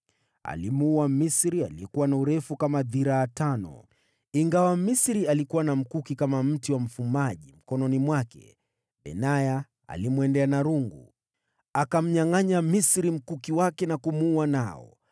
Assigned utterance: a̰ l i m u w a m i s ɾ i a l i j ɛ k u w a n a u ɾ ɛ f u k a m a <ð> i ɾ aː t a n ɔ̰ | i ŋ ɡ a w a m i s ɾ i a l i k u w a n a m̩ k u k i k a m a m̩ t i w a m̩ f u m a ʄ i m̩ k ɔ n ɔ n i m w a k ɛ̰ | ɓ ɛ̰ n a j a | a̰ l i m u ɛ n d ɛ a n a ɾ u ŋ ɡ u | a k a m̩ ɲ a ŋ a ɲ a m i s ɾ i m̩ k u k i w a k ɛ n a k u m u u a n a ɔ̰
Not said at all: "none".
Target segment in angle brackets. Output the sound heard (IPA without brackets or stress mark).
ð